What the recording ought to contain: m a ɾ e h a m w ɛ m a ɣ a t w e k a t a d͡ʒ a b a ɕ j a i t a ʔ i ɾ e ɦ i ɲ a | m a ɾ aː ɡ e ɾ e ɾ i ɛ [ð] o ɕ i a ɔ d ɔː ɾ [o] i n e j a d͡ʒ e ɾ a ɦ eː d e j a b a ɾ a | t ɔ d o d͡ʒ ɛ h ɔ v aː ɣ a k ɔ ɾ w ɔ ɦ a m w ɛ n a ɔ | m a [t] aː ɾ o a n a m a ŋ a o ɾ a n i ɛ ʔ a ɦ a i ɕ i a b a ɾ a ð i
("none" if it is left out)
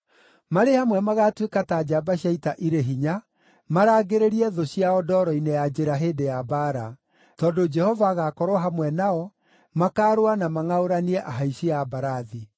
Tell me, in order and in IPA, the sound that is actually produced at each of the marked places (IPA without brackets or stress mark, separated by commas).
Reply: ð, ɔ, k